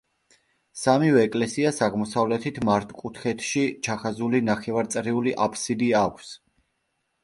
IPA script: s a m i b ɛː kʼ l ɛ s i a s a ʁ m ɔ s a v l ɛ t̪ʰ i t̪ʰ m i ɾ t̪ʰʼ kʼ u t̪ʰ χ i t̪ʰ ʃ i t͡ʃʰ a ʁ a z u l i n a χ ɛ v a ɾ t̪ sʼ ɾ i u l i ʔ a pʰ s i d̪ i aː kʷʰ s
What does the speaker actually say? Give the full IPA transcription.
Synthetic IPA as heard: s a m i v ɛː kʼ l ɛ s i a s a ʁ m ɔ s a v l ɛ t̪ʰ i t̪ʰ m a ɾ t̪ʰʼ kʼ u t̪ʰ χ ɛ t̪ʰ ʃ i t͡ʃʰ a χ a z u l i n a χ ɛ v a ɾ t̪ sʼ ɾ i u l i ʔ a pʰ s i d̪ i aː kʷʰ s

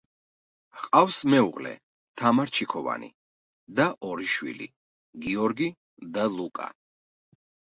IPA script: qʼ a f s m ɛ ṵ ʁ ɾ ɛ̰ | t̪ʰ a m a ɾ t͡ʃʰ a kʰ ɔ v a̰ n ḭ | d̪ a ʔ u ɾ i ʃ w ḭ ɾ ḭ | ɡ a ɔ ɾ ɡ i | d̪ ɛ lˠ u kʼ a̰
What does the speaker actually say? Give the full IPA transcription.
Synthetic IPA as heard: qʼ a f s m ɛ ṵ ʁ l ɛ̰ | t̪ʰ a m a ɾ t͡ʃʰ i kʰ ɔ v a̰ n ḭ | d̪ a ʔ ɔ ɾ i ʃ w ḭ l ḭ | ɡ i ɔ ɾ ɡ i | d̪ a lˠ u kʼ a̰

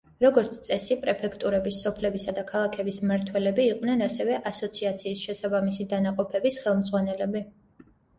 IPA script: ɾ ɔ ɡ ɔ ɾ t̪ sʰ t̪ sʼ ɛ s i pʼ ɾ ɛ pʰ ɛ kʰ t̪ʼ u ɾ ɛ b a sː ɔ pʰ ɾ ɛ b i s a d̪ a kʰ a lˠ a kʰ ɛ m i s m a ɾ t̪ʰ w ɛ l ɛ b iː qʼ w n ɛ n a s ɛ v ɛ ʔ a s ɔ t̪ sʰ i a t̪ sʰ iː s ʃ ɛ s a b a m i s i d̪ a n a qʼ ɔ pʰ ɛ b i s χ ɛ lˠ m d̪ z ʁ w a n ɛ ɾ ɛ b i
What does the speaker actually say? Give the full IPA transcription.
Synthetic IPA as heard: ɾ ɔ ɡ ɔ ɾ t̪ sʰ t̪ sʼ ɛ s i pʼ ɾ ɛ pʰ ɛ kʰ t̪ʼ u ɾ ɛ b i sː ɔ pʰ l ɛ b i s a d̪ a kʰ a lˠ a kʰ ɛ b i s m a ɾ t̪ʰ w ɛ l ɛ b iː qʼ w n ɛ n a s ɛ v ɛ ʔ a s ɔ t̪ sʰ i a t̪ sʰ iː s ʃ ɛ s a b a m i s i d̪ a n a qʼ ɔ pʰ ɛ b i s χ ɛ lˠ m d̪ z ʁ w a n ɛ l ɛ b i

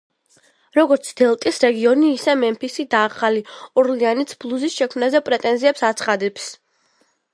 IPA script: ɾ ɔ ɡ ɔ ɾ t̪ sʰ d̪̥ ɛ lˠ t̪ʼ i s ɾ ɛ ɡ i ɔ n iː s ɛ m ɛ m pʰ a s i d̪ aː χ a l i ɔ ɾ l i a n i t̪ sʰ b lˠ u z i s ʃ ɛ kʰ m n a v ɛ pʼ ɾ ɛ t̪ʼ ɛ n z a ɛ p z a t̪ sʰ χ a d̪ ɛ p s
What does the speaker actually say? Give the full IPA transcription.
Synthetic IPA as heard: ɾ ɔ ɡ ɔ ɾ t̪ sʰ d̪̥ ɛ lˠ t̪ʼ i s ɾ ɛ ɡ i ɔ n iː s ɛ m ɛ m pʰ i s i d̪ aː χ a l i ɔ ɾ l i a n i t̪ sʰ b lˠ u z i s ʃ ɛ kʰ m n a z ɛ pʼ ɾ ɛ t̪ʼ ɛ n z i ɛ p s a t̪ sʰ χ a d̪ ɛ p s

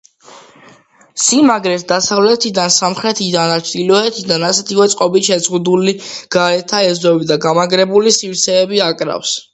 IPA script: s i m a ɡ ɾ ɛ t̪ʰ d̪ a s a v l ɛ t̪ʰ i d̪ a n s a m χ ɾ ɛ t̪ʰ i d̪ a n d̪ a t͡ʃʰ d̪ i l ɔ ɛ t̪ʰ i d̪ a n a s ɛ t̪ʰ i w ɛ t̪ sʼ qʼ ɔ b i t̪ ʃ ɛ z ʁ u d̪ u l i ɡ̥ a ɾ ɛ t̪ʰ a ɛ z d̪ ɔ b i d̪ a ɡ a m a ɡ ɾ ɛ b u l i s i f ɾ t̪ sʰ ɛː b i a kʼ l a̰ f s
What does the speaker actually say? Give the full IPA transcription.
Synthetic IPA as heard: s i m a ɡ ɾ ɛ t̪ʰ d̪ a s a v l ɛ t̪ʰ i d̪ a n s a m χ ɾ ɛ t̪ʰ i d̪ a n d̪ a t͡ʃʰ d̪ i l ɔ ɛ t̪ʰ i d̪ a n a s ɛ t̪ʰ i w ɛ t̪ sʼ qʼ ɔ b i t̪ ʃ ɛ z ʁ u d̪ u l i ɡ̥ a ɾ ɛ t̪ʰ a ɛ z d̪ ɔ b i d̪ a ɡ a m a ɡ ɾ ɛ b u l i s i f ɾ t̪ sʰ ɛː b i a kʼ ɾ a̰ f s

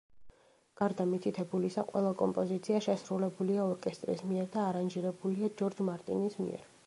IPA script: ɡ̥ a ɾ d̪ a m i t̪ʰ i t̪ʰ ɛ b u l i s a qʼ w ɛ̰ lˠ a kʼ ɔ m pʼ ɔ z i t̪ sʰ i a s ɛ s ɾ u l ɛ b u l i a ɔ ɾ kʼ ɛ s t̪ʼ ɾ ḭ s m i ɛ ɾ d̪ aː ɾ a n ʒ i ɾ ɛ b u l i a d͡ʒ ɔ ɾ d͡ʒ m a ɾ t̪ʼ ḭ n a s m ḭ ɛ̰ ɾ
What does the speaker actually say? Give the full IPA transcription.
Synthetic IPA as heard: ɡ̥ a ɾ d̪ a m i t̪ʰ i t̪ʰ ɛ b u l i s a qʼ w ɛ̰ lˠ a kʼ ɔ m pʼ ɔ z i t̪ sʰ i a ʃ ɛ s ɾ u l ɛ b u l i a ɔ ɾ kʼ ɛ s t̪ʼ ɾ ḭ s m i ɛ ɾ d̪ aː ɾ a n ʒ i ɾ ɛ b u l i a d͡ʒ ɔ ɾ d͡ʒ m a ɾ t̪ʼ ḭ n i s m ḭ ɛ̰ ɾ

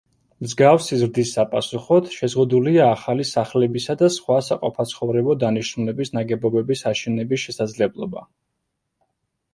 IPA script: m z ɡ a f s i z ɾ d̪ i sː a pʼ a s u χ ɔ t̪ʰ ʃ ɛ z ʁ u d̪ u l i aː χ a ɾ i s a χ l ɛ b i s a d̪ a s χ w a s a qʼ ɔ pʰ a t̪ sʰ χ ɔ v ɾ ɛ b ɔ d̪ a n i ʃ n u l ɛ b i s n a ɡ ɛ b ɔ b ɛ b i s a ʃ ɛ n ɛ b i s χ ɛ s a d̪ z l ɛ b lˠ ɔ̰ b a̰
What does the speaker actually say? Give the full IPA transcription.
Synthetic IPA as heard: m z ɡ a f s i z ɾ d̪ i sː a pʼ a s u χ ɔ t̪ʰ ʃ ɛ z ʁ u d̪ u l i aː χ a l i s a χ l ɛ b i s a d̪ a s χ w a s a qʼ ɔ pʰ a t̪ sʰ χ ɔ v ɾ ɛ b ɔ d̪ a n i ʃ n u l ɛ b i s n a ɡ ɛ b ɔ b ɛ b i s a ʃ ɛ n ɛ b i s ʃ ɛ s a d̪ z l ɛ b lˠ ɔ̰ b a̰

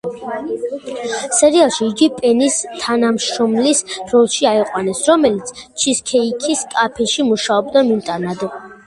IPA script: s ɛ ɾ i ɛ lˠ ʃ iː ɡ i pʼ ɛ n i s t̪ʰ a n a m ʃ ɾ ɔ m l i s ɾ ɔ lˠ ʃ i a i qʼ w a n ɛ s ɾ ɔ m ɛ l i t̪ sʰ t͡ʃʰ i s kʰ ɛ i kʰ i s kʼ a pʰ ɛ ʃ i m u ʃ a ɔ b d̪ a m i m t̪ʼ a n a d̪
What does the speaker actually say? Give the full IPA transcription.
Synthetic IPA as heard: s ɛ ɾ i a lˠ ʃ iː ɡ i pʼ ɛ n i s t̪ʰ a n a m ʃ ɾ ɔ m l i s ɾ ɔ lˠ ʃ i a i qʼ w a n ɛ s ɾ ɔ m ɛ l i t̪ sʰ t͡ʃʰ i s kʰ ɛ i kʰ i s kʼ a pʰ ɛ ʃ i m u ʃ a ɔ b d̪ a m i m t̪ʼ a n a d̪

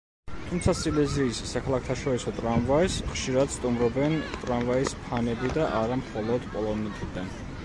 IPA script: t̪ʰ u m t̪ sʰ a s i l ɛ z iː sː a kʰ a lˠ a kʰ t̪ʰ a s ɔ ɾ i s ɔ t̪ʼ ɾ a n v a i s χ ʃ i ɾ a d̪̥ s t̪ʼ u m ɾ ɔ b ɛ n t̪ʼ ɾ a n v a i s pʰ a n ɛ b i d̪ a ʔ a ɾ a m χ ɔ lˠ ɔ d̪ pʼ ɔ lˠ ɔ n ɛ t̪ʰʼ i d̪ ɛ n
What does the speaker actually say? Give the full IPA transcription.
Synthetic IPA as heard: t̪ʰ u m t̪ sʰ a s i l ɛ z iː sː a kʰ a lˠ a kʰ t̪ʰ a ʃ ɔ ɾ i s ɔ t̪ʼ ɾ a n v a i s χ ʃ i ɾ a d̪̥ s t̪ʼ u m ɾ ɔ b ɛ n t̪ʼ ɾ a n v a i s pʰ a n ɛ b i d̪ a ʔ a ɾ a m χ ɔ lˠ ɔ d̪ pʼ ɔ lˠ ɔ n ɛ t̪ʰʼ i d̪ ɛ n

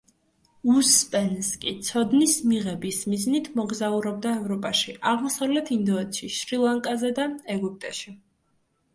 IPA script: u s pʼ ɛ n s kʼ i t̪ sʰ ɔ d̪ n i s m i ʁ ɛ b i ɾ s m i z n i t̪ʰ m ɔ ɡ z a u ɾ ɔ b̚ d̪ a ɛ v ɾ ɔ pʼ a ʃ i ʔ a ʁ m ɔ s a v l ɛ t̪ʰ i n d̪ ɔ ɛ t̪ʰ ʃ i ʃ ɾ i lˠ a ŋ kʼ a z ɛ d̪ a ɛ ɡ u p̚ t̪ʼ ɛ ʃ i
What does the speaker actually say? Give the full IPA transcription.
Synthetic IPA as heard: u s pʼ ɛ n s kʼ i t̪ sʰ ɔ d̪ n i s m i ʁ ɛ b i s m i z n i t̪ʰ m ɔ ɡ z a u ɾ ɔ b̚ d̪ a ɛ v ɾ ɔ pʼ a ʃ i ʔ a ʁ m ɔ s a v l ɛ t̪ʰ i n d̪ ɔ ɛ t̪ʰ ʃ i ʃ ɾ i lˠ a ŋ kʼ a z ɛ d̪ a ɛ ɡ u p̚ t̪ʼ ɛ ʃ i

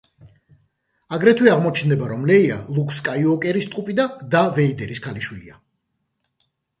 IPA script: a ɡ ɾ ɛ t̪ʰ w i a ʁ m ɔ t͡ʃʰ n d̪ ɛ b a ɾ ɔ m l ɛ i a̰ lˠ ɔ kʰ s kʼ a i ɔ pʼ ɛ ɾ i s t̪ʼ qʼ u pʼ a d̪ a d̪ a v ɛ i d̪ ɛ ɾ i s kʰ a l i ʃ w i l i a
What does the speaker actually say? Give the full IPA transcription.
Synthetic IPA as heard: a ɡ ɾ ɛ t̪ʰ w i a ʁ m ɔ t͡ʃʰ n d̪ ɛ b a ɾ ɔ m l ɛ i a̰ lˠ u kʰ s kʼ a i ɔ kʼ ɛ ɾ i s t̪ʼ qʼ u pʼ i d̪ a d̪ a v ɛ i d̪ ɛ ɾ i s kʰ a l i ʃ w i l i a

